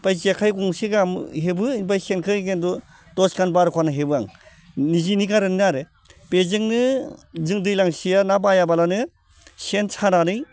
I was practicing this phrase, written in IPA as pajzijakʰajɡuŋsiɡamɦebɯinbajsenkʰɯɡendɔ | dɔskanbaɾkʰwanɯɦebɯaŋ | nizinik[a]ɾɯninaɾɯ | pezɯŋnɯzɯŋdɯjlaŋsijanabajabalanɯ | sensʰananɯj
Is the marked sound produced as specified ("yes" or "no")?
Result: yes